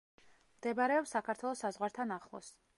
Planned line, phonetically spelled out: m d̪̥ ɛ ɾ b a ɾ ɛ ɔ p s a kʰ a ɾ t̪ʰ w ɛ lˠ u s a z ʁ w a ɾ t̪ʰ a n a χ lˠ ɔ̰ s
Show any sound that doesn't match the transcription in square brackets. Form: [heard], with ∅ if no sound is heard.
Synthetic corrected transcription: m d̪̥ ɛ [∅] b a ɾ ɛ ɔ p s a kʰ a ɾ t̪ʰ w ɛ lˠ [ɔ] s a z ʁ w a ɾ t̪ʰ a n a χ lˠ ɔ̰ s

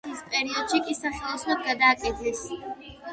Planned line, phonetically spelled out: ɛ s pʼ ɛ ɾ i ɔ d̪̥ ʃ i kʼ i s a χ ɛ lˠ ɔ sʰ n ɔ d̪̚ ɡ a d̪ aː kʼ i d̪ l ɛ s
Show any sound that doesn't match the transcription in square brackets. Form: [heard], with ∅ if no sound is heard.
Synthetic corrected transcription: [i] s pʼ ɛ ɾ i ɔ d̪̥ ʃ i kʼ i s a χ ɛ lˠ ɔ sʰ n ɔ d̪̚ ɡ a d̪ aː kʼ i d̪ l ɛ s

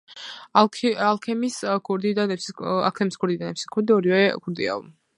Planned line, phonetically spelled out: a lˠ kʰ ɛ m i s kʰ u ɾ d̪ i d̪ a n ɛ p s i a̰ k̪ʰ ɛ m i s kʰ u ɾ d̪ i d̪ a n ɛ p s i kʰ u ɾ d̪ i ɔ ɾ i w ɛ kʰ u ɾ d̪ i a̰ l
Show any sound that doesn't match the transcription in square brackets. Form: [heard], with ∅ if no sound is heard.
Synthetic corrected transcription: a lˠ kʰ ɛ m i s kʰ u ɾ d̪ i d̪ a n ɛ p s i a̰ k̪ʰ ɛ m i s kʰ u ɾ d̪ i d̪ a n ɛ p s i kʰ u ɾ d̪ i ɔ ɾ i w ɛ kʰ u ɾ d̪ i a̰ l

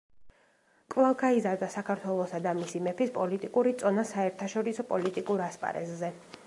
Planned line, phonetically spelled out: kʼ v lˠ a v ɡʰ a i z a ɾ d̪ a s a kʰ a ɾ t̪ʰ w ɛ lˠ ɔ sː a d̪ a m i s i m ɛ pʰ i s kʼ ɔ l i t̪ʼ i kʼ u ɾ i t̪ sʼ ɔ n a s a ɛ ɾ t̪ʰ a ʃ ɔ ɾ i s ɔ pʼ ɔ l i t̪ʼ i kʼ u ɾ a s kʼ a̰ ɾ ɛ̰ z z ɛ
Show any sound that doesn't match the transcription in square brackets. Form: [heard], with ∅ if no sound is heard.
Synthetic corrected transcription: kʼ v lˠ a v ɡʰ a i z a ɾ d̪ a s a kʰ a ɾ t̪ʰ w ɛ lˠ ɔ [s] a d̪ a m i s i m ɛ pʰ i s [pʼ] ɔ l i t̪ʼ i kʼ u ɾ i t̪ sʼ ɔ n a s a ɛ ɾ t̪ʰ a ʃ ɔ ɾ i s ɔ pʼ ɔ l i t̪ʼ i kʼ u ɾ a s [pʼ] a̰ ɾ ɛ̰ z z ɛ

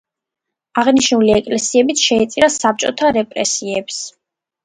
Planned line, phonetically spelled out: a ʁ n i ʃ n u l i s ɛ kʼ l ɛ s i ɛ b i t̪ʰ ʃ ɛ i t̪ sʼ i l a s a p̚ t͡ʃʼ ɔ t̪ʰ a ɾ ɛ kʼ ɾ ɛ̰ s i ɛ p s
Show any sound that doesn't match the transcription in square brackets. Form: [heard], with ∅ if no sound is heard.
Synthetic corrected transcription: a ʁ n i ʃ n u l i [∅] ɛ kʼ l ɛ s i ɛ b i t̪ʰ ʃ ɛ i t̪ sʼ i [ɾ] a s a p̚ t͡ʃʼ ɔ t̪ʰ a ɾ ɛ [pʼ] ɾ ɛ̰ s i ɛ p s

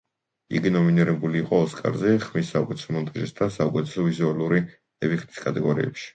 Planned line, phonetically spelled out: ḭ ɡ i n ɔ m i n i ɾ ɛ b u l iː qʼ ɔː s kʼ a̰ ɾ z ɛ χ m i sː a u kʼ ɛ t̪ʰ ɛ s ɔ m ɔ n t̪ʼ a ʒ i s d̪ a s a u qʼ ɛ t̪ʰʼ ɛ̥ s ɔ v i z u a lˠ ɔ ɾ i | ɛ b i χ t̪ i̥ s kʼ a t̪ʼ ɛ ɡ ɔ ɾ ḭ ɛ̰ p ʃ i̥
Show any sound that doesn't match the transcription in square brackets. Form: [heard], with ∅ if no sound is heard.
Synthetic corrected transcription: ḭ ɡ i n ɔ m i n i ɾ ɛ b u l iː qʼ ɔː s kʼ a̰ ɾ z ɛ χ m i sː a u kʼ ɛ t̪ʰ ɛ s ɔ m ɔ n t̪ʼ a ʒ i s d̪ a s a u [kʼ] ɛ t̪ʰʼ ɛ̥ s ɔ v i z u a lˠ [u] ɾ i | ɛ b i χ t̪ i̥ s kʼ a t̪ʼ ɛ ɡ ɔ ɾ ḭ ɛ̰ p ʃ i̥

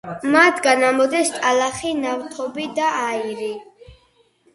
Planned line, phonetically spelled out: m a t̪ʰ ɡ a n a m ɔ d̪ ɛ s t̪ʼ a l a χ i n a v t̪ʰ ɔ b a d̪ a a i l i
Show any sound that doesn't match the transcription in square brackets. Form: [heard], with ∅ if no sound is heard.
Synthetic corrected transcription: m a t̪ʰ ɡ a n a m ɔ d̪ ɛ s t̪ʼ a l a χ i n a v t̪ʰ ɔ b [i] d̪ a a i [ɾ] i

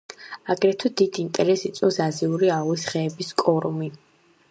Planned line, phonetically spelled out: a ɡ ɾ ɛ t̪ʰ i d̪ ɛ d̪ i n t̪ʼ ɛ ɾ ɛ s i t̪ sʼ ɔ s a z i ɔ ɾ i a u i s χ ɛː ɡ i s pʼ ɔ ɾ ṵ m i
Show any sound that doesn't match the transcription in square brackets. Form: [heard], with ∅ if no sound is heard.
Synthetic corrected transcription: a ɡ ɾ ɛ t̪ʰ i d̪ [i] d̪ i n t̪ʼ ɛ ɾ ɛ s i t̪ sʼ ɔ s a z i [u] ɾ i a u i s χ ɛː [b] i s [kʼ] ɔ ɾ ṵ m i

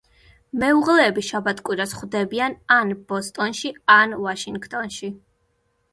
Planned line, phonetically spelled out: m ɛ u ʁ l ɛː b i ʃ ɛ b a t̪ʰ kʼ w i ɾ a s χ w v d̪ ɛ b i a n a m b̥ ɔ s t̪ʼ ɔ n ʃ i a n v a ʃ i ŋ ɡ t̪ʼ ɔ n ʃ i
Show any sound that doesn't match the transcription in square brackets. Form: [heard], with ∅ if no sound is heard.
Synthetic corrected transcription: m ɛ u ʁ l ɛː b i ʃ [a] b a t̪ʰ kʼ w i ɾ a s χ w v d̪ ɛ b i a n a [n] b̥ ɔ s t̪ʼ ɔ n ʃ i a n v a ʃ i ŋ ɡ t̪ʼ ɔ n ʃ i

